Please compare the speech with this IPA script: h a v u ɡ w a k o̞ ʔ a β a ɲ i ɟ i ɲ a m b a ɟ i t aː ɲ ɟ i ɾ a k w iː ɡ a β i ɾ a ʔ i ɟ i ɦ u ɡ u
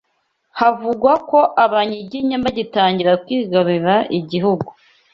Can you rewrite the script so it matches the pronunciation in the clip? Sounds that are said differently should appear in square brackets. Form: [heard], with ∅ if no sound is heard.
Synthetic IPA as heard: h a v u ɡ w a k o̞ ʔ a β a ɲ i ɟ i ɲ a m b a ɟ i t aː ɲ ɟ i ɾ a k w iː ɡ a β i ɾ a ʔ i ɟ i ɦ u ɡ u